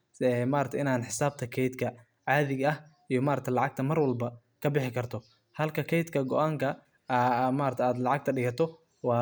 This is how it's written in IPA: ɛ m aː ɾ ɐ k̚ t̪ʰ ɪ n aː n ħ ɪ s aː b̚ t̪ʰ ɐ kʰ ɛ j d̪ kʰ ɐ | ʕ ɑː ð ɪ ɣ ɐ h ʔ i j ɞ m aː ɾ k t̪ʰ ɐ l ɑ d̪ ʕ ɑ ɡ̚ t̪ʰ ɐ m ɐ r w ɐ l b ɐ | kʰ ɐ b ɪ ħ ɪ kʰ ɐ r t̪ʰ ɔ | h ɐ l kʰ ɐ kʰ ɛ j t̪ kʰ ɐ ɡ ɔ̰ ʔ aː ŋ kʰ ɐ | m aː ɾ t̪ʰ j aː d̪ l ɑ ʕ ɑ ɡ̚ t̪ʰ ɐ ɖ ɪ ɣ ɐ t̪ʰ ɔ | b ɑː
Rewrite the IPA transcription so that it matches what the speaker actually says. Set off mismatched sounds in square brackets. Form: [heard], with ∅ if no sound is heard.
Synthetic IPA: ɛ m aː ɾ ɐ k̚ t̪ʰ ɪ n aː n ħ ɪ s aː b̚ t̪ʰ ɐ kʰ ɛ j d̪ kʰ ɐ | ʕ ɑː ð ɪ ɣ ɐ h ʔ i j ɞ m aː ɾ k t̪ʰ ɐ l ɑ [∅] ʕ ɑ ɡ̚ t̪ʰ ɐ m ɐ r w ɐ l b ɐ | kʰ ɐ b ɪ ħ ɪ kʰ ɐ r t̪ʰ ɔ | h ɐ l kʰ ɐ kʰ ɛ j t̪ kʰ ɐ ɡ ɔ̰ ʔ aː ŋ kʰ ɐ | m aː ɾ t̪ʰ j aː d̪ l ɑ ʕ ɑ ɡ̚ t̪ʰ ɐ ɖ ɪ ɣ ɐ t̪ʰ ɔ | [w] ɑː